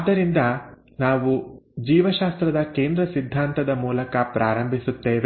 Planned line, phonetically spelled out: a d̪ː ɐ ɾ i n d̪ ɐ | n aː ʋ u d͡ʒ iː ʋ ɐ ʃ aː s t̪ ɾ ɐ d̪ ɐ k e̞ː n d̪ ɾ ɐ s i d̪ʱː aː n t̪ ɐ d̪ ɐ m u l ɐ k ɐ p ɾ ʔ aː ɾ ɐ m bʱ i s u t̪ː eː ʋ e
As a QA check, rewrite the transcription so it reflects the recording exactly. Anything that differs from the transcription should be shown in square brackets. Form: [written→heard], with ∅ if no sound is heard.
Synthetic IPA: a d̪ː ɐ ɾ i n d̪ ɐ | n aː ʋ u d͡ʒ iː ʋ ɐ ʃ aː s t̪ ɾ ɐ d̪ ɐ k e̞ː n d̪ ɾ ɐ s i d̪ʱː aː n t̪ ɐ d̪ ɐ m [u→uː] l ɐ k ɐ p ɾ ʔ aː ɾ ɐ m bʱ i s u t̪ː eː ʋ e